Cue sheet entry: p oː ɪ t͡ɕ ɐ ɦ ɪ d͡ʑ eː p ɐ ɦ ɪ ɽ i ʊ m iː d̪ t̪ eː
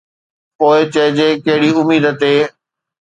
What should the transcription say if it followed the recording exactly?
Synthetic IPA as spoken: p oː ɪ t͡ɕ ɐ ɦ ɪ d͡ʑ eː k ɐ ɦ ɪ ɽ i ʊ m iː d̪ t̪ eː